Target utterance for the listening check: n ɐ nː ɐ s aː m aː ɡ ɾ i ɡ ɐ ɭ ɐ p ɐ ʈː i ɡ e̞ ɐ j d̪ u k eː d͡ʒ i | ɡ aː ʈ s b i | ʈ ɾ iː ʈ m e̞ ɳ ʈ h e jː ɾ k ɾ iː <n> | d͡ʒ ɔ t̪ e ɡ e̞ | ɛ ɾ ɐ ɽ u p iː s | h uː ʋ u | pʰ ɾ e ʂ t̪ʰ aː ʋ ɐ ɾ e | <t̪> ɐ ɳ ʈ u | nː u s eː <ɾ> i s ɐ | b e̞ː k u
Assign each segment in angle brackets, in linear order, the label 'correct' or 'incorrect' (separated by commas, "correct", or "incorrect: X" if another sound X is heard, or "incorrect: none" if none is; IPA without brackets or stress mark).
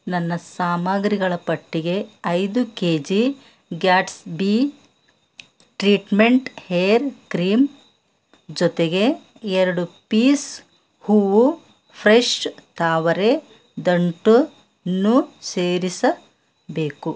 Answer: incorrect: m, incorrect: d̪, correct